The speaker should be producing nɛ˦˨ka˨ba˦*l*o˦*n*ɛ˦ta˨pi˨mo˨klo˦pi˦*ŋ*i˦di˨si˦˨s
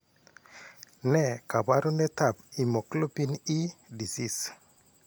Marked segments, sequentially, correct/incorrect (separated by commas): incorrect, correct, incorrect